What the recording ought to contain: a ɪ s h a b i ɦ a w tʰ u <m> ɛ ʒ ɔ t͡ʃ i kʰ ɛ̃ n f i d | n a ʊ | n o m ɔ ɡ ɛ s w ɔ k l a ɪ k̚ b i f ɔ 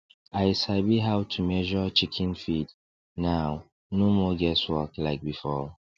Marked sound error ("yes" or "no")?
no